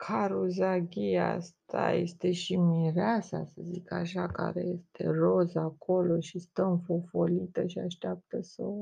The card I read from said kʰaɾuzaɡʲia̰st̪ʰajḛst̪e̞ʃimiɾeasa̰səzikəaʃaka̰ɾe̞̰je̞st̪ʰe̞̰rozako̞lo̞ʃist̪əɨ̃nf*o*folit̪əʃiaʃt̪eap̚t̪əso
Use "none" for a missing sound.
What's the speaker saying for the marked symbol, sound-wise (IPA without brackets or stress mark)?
o